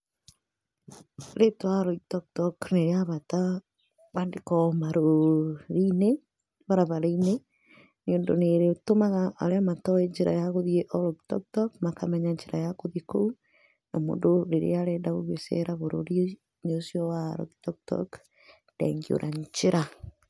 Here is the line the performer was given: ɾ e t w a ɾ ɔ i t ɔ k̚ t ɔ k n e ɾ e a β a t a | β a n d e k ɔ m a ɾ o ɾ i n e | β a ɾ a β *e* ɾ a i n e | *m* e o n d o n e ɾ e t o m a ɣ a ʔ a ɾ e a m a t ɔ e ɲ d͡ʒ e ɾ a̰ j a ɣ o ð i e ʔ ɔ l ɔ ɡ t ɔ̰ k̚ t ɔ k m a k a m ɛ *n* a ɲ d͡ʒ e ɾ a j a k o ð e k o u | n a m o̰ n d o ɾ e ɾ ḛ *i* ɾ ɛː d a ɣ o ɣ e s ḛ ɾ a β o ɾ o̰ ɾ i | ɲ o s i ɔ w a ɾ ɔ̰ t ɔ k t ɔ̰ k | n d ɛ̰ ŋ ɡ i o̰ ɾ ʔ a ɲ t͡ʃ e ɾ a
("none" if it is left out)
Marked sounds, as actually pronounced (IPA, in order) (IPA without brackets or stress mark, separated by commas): a, n, ɲ, a